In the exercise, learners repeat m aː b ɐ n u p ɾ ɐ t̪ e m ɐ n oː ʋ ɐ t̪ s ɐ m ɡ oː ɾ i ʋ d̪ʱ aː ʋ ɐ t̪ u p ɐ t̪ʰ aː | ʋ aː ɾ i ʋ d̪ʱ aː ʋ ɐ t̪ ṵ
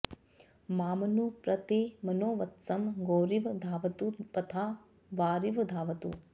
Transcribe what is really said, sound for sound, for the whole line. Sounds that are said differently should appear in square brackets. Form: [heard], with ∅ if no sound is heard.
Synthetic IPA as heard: m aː [m] ɐ n u p ɾ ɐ t̪ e m ɐ n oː ʋ ɐ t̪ s ɐ m ɡ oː ɾ i ʋ d̪ʱ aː ʋ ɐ t̪ u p ɐ t̪ʰ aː | ʋ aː ɾ i ʋ d̪ʱ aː ʋ ɐ t̪ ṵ